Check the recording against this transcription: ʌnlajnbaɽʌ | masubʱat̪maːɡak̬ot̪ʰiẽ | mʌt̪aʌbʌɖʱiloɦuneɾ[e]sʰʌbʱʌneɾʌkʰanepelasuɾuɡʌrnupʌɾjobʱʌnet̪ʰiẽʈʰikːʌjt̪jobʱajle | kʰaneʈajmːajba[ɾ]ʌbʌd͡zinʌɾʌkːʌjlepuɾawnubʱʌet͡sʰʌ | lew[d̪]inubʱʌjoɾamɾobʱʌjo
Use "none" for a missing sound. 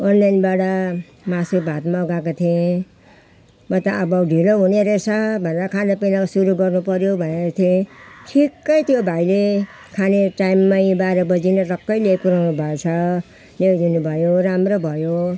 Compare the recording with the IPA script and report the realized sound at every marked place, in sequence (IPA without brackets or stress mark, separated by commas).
e, ɾ, d̪